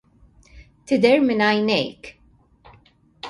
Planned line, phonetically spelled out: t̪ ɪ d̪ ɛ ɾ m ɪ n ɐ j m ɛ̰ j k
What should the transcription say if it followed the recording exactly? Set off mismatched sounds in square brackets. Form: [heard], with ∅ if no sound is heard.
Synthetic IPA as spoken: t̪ ɪ d̪ ɛ ɾ m ɪ n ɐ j [n] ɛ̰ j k

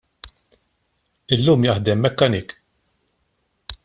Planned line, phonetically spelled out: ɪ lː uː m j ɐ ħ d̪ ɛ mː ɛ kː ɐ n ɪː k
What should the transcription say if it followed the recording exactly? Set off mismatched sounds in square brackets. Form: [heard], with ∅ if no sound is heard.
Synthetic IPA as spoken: ɪ lː uː m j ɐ ħ d̪ ɛ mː ɛ kː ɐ n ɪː k

